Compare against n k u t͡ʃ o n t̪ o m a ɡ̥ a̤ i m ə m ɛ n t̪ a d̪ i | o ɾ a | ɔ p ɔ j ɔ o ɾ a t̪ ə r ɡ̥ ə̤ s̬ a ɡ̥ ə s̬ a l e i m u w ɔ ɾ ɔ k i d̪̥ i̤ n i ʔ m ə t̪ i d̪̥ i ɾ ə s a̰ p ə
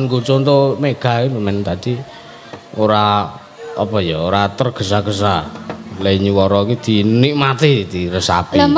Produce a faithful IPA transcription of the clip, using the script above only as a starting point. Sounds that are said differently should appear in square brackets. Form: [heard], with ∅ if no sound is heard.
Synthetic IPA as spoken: n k u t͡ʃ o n t̪ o m [e] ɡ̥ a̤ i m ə m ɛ n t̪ a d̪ i | o ɾ a | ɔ p ɔ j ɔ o ɾ a t̪ ə r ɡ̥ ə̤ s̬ a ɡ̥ ə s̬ a l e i [ɲ] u w ɔ ɾ ɔ k i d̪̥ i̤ n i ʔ m [a] t̪ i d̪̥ i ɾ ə s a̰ p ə

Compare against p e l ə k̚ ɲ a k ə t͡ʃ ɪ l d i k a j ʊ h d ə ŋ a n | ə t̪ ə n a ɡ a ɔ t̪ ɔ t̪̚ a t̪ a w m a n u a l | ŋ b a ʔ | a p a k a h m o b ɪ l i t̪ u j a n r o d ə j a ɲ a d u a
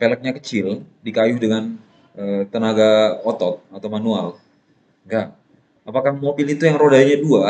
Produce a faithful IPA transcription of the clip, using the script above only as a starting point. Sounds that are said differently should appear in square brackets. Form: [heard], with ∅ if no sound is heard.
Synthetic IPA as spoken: p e l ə k̚ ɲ a k ə t͡ʃ ɪ l d i k a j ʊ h d ə ŋ a n | ə t̪ ə n a ɡ a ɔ t̪ ɔ t̪̚ a t̪ a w m a n u a l | ŋ [ɡ] a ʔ | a p a k a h m o b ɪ l i t̪ u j a [ŋ] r o d [a] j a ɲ a d u a

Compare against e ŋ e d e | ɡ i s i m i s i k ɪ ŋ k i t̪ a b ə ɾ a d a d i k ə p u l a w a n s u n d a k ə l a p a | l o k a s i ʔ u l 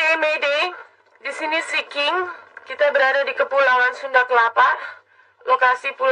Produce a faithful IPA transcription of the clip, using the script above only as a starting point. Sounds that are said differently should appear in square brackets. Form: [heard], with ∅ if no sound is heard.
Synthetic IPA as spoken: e [m] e d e | [d] i s i [n] i s i k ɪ ŋ k i t̪ a b ə ɾ a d a d i k ə p u l a w a n s u n d a k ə l a p a | l o k a s i [p] u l

